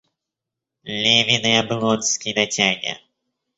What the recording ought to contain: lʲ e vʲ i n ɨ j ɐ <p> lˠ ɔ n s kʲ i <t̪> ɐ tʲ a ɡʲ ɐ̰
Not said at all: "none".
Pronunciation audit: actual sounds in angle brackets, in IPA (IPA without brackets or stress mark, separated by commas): b, d̪